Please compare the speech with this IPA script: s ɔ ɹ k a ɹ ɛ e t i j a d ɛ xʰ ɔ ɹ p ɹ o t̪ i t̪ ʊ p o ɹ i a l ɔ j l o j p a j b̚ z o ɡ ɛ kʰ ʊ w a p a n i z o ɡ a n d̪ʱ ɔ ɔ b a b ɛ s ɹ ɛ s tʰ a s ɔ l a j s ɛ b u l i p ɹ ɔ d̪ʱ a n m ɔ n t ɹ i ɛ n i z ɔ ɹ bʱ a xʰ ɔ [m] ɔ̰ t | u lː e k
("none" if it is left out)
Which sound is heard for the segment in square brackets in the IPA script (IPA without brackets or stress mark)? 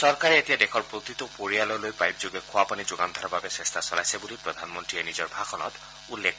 n